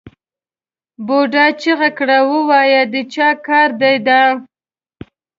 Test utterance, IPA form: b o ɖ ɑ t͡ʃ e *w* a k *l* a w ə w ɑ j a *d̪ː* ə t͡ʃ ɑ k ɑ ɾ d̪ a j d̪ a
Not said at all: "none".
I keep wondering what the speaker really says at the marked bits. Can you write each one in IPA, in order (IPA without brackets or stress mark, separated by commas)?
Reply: ɣ, ɽ, d̪